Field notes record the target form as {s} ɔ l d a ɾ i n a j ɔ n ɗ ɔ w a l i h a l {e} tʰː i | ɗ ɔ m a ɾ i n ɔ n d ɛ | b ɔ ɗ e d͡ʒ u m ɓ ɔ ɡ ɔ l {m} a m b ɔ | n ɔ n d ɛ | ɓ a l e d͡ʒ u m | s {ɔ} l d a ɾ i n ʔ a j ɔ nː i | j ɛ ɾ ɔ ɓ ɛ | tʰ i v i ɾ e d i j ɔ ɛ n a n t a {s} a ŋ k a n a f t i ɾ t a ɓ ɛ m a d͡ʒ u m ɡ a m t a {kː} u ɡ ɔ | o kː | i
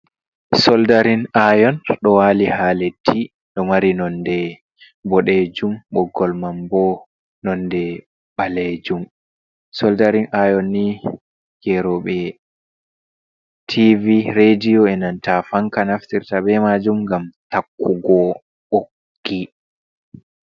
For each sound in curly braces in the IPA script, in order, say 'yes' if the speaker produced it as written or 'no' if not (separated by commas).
yes, yes, yes, yes, no, yes